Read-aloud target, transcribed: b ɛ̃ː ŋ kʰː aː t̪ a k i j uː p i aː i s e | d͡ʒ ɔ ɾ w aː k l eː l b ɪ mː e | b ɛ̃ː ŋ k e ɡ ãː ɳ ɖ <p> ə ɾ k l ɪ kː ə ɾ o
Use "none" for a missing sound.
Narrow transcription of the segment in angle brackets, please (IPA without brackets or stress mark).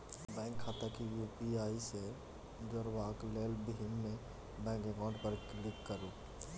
p